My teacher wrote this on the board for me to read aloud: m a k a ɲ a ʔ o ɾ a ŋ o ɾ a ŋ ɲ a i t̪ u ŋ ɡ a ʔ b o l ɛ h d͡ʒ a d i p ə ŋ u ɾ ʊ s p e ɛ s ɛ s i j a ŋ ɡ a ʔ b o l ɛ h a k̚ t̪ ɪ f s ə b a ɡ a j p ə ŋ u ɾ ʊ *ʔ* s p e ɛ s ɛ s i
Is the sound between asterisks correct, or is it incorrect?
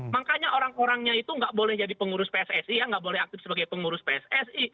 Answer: incorrect: none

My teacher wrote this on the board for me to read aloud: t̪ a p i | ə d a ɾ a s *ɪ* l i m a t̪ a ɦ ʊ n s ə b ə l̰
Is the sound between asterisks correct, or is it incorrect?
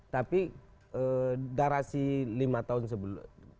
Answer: incorrect: i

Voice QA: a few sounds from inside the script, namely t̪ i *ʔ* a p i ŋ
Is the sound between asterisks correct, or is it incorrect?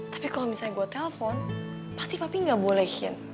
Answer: incorrect: p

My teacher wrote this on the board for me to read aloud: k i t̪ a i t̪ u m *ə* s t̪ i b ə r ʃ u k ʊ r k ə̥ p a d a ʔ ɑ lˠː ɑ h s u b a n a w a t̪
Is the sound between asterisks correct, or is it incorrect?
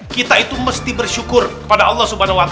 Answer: correct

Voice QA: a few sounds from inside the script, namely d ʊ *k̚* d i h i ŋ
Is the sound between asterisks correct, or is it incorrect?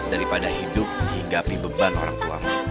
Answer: incorrect: p̚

